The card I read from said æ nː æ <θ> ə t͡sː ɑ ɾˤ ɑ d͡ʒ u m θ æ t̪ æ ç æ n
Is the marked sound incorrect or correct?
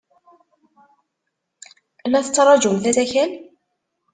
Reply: correct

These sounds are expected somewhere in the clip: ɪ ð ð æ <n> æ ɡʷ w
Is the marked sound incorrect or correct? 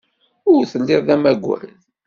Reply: incorrect: m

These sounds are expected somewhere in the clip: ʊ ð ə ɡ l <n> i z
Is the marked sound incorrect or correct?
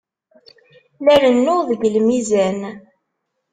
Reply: incorrect: m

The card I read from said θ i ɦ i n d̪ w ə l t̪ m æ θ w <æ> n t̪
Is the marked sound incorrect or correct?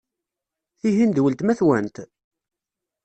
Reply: correct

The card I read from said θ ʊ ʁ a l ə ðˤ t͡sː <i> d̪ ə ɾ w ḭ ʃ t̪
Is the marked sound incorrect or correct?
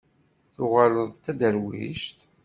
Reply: incorrect: æ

